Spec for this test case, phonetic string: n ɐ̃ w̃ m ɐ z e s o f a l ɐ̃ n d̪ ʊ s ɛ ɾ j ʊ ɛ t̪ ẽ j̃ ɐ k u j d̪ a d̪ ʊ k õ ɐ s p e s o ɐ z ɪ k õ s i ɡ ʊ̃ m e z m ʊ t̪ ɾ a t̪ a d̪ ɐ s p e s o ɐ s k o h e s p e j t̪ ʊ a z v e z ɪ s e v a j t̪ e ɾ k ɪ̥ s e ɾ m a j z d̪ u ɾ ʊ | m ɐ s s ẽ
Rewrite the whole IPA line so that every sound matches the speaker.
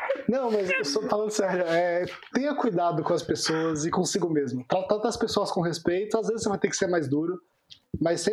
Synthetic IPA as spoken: n ɐ̃ w̃ m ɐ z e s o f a l ɐ̃ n d̪ ʊ s ɛ ɾ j ʊ ɛ t̪ ẽ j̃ ɐ k u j d̪ a d̪ ʊ k õ ɐ s p e s o ɐ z ɪ k õ s i ɡ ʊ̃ m e z m ʊ t̪ ɾ a t̪ a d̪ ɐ s p e s o ɐ s k õ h e s p e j t̪ ʊ a z v e z ɪ s e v a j t̪ e ɾ k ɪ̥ s e ɾ m a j z d̪ u ɾ ʊ | m ɐ s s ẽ